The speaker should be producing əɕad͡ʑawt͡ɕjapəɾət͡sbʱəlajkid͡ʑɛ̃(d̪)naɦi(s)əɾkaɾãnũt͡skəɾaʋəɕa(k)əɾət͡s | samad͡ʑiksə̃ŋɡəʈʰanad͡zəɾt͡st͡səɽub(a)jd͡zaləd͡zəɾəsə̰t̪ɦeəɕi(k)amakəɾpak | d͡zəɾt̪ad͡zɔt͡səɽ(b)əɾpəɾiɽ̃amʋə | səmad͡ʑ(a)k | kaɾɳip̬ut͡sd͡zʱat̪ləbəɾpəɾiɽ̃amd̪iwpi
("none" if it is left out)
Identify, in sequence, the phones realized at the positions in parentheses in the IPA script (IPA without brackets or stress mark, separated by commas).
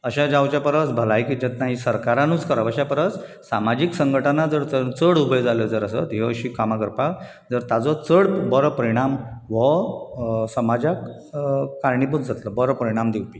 t̪, s, p, ə, k, b, a